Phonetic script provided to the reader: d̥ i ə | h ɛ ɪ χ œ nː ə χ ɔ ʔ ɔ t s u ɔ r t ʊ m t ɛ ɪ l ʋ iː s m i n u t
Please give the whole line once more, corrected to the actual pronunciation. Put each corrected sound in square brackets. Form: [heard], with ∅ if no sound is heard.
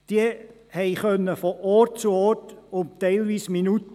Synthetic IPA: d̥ i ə | h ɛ ɪ χ œ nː ə [f] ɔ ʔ ɔ t [t͡s] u ɔ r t ʊ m t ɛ ɪ l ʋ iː s m i n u t